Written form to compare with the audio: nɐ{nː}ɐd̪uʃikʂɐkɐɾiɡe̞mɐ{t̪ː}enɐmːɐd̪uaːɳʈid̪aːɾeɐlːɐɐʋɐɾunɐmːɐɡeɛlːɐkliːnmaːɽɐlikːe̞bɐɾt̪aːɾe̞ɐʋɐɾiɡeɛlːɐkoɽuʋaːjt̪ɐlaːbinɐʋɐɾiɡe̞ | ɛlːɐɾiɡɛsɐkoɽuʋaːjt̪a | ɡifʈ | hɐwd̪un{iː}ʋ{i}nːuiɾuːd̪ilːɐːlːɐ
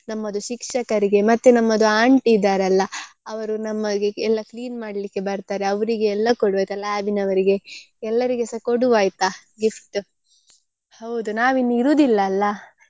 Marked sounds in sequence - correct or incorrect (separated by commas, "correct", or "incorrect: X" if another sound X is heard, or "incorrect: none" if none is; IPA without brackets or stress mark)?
incorrect: mː, correct, incorrect: aː, correct